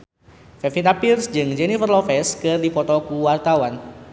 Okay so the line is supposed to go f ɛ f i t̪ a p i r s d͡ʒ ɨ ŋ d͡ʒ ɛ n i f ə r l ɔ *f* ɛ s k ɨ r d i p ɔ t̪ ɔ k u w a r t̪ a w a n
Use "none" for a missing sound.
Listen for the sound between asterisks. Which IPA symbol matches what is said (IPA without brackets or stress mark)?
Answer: f